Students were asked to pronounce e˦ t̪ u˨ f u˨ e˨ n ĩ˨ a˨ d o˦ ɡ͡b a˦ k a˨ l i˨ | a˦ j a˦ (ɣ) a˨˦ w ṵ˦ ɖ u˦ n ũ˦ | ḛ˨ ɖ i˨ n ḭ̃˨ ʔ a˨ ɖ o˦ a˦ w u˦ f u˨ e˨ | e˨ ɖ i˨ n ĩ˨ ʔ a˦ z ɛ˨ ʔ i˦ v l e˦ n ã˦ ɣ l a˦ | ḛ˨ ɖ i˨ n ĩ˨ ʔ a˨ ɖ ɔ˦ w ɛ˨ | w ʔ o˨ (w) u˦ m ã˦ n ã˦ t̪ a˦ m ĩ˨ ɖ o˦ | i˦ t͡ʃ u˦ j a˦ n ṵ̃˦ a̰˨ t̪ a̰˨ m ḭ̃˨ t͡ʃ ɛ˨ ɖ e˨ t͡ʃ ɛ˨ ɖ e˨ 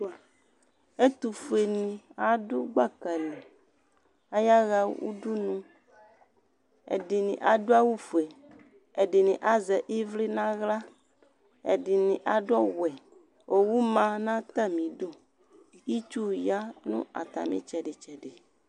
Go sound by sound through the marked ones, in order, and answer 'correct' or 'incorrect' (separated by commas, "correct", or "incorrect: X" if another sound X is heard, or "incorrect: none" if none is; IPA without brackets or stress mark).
correct, correct